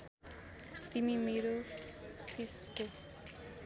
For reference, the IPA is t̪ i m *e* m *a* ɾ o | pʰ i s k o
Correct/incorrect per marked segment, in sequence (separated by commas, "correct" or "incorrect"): incorrect, incorrect